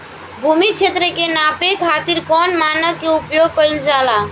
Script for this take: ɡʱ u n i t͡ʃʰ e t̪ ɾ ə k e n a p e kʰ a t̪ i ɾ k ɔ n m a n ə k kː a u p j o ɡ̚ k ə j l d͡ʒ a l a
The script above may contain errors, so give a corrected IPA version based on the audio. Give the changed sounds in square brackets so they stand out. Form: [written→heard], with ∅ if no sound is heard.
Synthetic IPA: [ɡʱ→bʱ] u [n→m] i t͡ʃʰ e t̪ ɾ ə k e n a p e kʰ a t̪ i ɾ k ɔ n m a n ə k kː [a→e] u p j o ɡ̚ k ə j l d͡ʒ a l a